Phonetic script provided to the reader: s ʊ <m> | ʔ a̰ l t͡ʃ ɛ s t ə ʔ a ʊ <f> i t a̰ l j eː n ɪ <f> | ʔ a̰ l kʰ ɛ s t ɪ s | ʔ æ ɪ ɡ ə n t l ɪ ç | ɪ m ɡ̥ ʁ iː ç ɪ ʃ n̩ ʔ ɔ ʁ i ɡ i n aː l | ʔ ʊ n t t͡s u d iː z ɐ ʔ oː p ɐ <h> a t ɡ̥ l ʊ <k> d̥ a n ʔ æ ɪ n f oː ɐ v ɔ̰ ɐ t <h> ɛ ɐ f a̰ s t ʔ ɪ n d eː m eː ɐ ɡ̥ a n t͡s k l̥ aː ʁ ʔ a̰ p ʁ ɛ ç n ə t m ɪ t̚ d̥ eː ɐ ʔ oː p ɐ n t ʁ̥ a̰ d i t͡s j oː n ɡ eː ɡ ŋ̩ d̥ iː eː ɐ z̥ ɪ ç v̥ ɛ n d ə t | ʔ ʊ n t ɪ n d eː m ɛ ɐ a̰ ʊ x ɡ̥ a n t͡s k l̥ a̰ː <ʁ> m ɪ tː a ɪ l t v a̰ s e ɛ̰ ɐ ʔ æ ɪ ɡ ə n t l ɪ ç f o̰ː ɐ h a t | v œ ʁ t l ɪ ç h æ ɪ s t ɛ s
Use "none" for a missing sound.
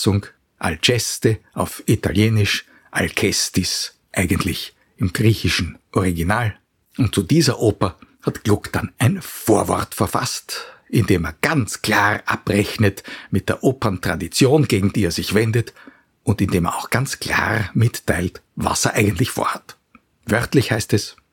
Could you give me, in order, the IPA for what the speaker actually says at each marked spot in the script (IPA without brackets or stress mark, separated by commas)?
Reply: ŋ, f, ʃ, h, k, f, ʁ